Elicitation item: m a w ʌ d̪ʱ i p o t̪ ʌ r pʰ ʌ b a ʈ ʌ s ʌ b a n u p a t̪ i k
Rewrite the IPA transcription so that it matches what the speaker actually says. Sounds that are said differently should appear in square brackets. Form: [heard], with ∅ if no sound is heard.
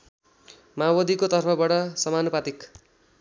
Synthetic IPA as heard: m a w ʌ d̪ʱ i [k] o t̪ ʌ r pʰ ʌ b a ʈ ʌ s ʌ [m] a n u p a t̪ i k